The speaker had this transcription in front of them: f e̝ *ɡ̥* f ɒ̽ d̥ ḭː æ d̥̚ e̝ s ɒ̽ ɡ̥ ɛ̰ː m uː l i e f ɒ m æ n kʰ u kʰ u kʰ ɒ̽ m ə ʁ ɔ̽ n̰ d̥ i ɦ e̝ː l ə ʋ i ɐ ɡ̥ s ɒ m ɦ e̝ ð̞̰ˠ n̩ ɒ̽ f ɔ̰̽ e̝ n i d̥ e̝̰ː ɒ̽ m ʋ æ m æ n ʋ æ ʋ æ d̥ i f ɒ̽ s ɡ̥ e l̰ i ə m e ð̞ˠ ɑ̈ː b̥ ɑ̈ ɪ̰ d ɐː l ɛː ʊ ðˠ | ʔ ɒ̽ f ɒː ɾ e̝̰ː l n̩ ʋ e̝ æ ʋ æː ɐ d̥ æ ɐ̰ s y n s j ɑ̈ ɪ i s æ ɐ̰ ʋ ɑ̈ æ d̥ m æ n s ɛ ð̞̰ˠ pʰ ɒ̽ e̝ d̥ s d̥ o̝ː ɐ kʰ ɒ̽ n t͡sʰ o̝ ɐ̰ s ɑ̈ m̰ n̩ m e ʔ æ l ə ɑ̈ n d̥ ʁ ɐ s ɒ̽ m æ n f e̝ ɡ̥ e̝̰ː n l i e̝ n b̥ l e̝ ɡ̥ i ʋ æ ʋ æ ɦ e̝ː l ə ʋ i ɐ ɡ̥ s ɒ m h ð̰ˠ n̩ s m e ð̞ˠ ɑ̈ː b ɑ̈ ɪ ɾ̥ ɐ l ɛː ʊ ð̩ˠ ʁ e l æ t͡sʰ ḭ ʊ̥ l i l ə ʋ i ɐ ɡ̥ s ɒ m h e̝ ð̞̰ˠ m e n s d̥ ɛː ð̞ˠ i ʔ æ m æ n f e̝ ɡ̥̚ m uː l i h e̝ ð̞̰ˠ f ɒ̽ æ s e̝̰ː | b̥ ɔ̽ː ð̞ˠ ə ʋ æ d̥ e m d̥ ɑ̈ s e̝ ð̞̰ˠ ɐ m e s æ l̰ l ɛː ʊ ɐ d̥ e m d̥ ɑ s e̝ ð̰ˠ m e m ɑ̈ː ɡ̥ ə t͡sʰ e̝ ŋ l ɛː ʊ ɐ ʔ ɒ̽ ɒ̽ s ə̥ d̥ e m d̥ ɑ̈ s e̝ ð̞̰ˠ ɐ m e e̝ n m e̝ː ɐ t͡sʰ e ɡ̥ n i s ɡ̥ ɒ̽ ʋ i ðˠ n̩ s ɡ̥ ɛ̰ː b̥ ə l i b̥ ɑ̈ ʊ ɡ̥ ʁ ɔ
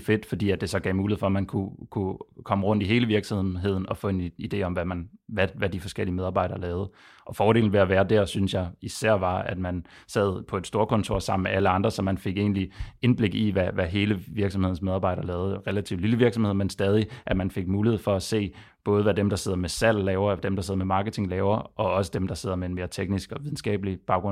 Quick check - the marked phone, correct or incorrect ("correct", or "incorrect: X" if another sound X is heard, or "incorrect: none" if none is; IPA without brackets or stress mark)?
incorrect: d̥